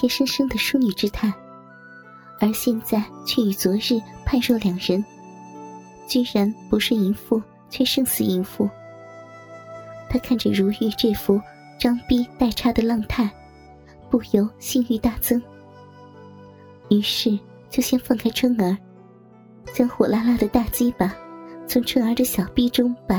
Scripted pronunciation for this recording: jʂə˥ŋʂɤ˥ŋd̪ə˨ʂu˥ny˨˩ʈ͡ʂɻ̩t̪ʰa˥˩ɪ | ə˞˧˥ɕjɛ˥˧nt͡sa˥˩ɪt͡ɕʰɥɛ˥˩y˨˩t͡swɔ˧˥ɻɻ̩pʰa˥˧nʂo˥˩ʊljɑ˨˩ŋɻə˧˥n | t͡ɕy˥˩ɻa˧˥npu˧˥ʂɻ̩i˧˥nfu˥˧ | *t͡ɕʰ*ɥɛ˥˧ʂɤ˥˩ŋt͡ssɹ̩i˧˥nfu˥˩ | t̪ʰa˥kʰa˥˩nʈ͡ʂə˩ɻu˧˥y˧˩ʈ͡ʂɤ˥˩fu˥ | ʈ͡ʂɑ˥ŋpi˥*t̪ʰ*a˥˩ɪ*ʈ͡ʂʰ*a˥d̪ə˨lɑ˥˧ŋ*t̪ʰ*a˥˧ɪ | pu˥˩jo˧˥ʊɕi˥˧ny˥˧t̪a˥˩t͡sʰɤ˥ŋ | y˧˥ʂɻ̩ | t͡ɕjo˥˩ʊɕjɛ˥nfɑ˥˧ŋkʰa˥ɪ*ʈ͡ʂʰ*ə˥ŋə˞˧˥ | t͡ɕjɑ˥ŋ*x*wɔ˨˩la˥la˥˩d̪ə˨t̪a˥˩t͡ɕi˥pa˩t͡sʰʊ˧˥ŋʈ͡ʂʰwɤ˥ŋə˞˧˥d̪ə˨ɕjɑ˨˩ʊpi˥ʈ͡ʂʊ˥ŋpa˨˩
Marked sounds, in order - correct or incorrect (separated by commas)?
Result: correct, incorrect, correct, correct, correct, correct